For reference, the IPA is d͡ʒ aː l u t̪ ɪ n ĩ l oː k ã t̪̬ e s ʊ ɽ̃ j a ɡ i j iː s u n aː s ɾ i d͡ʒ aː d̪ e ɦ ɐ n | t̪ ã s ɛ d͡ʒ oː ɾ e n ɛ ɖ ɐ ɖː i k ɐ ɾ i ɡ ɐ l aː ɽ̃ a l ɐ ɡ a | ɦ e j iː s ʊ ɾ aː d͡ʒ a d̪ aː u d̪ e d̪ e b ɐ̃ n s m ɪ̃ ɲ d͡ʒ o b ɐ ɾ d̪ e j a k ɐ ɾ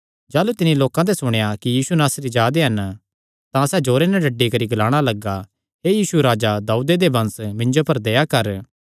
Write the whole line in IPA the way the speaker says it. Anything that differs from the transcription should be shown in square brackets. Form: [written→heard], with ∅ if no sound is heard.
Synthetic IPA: d͡ʒ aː l u t̪ ɪ n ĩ l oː k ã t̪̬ e s ʊ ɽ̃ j a [ɡ→k] i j iː s u n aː s ɾ i d͡ʒ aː d̪ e ɦ ɐ n | t̪ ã s ɛ d͡ʒ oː ɾ e n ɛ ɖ ɐ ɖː i k ɐ ɾ i ɡ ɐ l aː ɽ̃ a l ɐ ɡ a | ɦ e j iː s [ʊ→u] ɾ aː d͡ʒ a d̪ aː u d̪ e d̪ e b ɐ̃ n s m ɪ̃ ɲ d͡ʒ o [b→p] ɐ ɾ d̪ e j a k ɐ ɾ